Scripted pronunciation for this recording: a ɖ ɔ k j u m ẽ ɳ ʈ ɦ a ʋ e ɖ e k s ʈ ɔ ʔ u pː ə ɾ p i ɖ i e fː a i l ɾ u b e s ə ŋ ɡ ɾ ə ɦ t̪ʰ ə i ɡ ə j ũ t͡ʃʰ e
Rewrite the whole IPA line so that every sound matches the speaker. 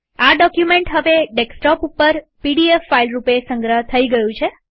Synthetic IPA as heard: a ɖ ɔ k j u m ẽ ɳ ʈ ɦ ə ʋ e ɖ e k s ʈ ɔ p u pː ə ɾ p i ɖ i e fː a i l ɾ u p e s ə ŋ ɡ ɾ ə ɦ t̪ʰ ə i ɡ ə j ũ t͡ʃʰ e

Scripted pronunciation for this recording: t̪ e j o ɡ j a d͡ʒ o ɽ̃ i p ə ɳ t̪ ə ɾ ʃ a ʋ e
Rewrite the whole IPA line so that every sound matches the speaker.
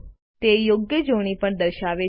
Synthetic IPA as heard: t̪ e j o ɡ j ə d͡ʒ o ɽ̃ i p ə ɳ d̪ ə ɾ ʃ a ʋ e

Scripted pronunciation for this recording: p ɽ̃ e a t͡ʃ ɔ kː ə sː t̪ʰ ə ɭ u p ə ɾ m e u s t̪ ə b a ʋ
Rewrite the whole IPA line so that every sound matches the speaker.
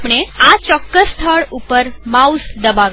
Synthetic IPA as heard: p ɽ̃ e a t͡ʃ ɔ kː ə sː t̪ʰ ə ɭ u p ə ɾ m a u s d̪ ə b a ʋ

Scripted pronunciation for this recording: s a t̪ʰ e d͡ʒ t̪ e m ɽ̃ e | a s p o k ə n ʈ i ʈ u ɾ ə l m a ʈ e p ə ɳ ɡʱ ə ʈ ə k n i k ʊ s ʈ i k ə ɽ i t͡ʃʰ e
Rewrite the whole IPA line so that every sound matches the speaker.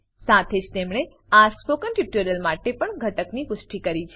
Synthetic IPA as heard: s a t̪ʰ e d͡ʒ t̪ e m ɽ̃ e | a s p o k ə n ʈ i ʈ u ɾ ə l m a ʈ e p ə ɳ ɡʱ ə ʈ ə k n i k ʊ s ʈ i k ə ɾ i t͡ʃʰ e

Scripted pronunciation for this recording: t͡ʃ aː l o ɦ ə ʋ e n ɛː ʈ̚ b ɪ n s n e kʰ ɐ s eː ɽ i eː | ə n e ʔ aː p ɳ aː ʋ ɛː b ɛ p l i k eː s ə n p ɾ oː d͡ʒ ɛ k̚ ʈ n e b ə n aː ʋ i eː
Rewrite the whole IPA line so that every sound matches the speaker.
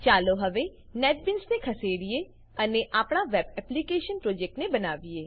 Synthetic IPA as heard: t͡ʃ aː l o ɦ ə ʋ e n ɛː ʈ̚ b ɪ n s n e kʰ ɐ s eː ɽ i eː | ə n e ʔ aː p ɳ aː ʋ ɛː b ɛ p l i k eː ʃ ə n p ɾ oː d͡ʒ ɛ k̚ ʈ n e b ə n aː ʋ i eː

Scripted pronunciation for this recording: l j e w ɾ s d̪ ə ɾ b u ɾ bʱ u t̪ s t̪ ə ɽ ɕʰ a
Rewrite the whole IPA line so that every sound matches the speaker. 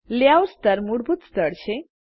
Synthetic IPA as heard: l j a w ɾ s t̪ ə ɾ m u ɽ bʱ u t̪ s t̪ ə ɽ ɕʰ e

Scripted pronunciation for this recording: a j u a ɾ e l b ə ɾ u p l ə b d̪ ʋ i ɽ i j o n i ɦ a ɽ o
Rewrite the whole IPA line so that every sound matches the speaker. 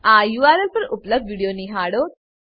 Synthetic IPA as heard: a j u a ɾ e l p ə ɾ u p l ə b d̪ ʋ i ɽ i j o n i ɦ a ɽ o

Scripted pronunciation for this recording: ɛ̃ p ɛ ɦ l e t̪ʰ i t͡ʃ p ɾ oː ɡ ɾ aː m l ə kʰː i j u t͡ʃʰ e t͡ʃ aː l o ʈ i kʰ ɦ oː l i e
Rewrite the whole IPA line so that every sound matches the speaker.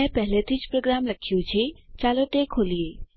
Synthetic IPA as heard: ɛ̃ p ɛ ɦ l e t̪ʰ i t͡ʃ p ɾ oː ɡ ɾ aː m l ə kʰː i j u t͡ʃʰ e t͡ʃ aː l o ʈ e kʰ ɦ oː l i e

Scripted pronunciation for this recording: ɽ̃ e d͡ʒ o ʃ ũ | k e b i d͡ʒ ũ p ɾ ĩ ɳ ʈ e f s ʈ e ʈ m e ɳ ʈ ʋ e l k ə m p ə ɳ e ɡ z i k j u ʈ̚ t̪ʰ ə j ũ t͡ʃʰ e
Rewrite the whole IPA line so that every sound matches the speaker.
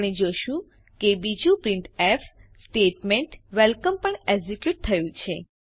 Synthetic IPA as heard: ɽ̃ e d͡ʒ o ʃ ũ | k e b i d͡ʒ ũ p ɾ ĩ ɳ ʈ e f s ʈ e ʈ m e ɳ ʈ ʋ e l k ə m p ə ɳ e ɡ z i k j u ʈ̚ t̪ʰ ə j ũ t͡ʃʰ e

